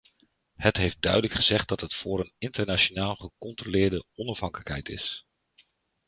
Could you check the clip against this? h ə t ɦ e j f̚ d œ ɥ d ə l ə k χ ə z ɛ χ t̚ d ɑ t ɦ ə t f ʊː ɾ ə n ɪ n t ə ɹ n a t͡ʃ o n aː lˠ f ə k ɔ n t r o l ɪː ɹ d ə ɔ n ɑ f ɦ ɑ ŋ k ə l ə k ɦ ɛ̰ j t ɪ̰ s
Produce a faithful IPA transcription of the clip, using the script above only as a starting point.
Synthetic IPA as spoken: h ə t ɦ e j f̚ d œ ɥ d ə l ə k χ ə z ɛ χ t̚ d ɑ t ɦ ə t f ʊː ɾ ə n ɪ n t ə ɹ n a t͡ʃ o n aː lˠ χ ə k ɔ n t r o l ɪː ɹ d ə ɔ n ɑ f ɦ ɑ ŋ k ə l ə k ɦ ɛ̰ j t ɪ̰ s